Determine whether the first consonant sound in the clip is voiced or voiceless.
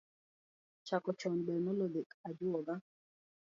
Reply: voiceless